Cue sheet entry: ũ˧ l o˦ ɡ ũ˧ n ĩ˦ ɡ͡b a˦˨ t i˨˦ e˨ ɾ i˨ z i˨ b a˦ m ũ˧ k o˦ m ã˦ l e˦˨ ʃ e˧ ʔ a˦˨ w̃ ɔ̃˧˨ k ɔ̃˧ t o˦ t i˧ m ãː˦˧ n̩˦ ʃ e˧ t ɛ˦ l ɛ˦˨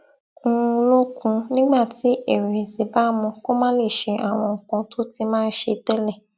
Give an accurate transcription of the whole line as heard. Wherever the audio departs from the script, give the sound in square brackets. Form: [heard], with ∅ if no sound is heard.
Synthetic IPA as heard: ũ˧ l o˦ [k] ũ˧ n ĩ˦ ɡ͡b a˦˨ t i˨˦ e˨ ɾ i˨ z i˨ b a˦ m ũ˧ k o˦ m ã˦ l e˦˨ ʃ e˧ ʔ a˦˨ w̃ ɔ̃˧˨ k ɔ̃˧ t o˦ t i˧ m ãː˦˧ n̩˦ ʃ e˧ t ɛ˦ l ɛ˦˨